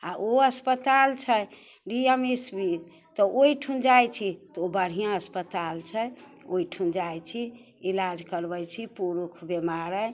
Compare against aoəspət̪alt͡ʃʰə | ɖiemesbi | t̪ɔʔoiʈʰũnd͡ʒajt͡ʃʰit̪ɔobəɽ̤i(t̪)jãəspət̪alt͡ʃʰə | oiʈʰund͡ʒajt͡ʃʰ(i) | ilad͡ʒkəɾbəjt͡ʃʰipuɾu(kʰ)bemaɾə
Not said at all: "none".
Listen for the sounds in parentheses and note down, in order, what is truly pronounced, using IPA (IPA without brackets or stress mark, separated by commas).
none, i, kʰ